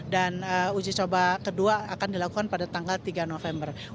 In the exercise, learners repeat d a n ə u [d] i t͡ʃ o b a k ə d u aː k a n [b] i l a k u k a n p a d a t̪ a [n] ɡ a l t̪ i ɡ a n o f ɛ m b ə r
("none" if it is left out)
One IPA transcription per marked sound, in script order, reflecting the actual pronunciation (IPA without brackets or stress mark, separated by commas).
d͡ʒ, d, ŋ